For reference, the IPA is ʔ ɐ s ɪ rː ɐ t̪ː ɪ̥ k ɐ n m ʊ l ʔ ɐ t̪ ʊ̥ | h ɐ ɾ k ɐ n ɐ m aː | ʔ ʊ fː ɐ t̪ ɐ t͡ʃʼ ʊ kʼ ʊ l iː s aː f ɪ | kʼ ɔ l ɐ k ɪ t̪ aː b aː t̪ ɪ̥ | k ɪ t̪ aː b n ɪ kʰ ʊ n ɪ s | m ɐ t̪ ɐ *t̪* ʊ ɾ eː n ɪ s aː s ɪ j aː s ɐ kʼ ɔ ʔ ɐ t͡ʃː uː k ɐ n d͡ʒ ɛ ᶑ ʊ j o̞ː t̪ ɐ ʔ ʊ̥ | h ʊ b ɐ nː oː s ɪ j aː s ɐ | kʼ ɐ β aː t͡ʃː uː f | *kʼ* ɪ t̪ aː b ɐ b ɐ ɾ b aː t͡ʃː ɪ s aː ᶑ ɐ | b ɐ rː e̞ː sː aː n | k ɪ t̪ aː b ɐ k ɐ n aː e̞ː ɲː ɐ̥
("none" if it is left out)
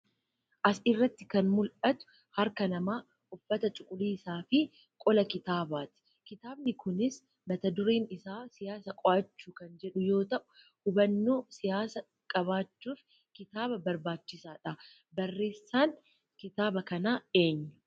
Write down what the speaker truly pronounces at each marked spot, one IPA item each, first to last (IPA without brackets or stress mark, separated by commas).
d̪, k